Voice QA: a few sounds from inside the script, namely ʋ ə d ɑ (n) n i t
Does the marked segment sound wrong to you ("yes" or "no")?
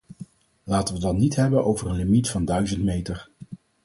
no